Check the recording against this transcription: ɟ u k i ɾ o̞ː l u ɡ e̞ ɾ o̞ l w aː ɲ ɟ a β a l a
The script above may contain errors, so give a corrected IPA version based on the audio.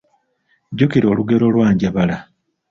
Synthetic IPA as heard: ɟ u k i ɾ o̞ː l u ɡ e̞ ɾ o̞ l w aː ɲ ɟ a β a l a